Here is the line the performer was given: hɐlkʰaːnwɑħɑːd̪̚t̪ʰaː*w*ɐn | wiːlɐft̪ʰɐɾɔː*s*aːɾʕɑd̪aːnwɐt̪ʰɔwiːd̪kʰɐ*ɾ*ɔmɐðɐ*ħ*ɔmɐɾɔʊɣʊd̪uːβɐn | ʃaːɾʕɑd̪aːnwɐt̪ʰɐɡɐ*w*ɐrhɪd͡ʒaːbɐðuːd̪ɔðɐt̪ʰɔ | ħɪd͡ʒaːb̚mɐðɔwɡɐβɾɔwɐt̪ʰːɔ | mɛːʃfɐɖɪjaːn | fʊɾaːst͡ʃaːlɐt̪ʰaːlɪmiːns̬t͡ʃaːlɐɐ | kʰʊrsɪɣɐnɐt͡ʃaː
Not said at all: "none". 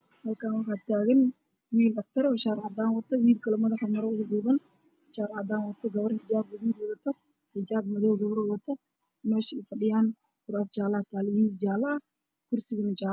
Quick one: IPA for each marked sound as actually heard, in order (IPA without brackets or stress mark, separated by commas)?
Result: ɣ, ʃ, l, ħ, β